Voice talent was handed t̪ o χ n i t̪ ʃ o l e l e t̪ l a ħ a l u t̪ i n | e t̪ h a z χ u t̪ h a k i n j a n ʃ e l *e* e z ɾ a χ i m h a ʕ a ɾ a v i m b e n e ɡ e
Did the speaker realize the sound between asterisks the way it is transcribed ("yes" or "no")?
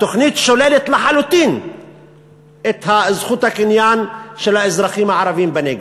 no